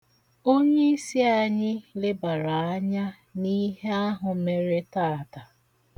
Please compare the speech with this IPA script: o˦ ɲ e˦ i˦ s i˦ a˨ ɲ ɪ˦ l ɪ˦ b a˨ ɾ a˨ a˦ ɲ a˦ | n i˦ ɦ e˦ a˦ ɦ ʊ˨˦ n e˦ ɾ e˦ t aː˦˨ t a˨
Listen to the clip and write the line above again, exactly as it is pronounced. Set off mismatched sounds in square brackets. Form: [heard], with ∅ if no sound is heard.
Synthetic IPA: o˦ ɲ e˦ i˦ s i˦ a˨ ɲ ɪ˦ l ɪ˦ b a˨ ɾ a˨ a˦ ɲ a˦ | n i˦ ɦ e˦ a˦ ɦ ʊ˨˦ [m] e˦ ɾ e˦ t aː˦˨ t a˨